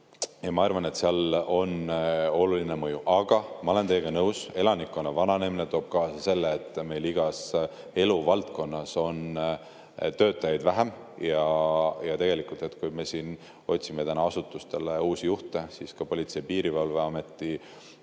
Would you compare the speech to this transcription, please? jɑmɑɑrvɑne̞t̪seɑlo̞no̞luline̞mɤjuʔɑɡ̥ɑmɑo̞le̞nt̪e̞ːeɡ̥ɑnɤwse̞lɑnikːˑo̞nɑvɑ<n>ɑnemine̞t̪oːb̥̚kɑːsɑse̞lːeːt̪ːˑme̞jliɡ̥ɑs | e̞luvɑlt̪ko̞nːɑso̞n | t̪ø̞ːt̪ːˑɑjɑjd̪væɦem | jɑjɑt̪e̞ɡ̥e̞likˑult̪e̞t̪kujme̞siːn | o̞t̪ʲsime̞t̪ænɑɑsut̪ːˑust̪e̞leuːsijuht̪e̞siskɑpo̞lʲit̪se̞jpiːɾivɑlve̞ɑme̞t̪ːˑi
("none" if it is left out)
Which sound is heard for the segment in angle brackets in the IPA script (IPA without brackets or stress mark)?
n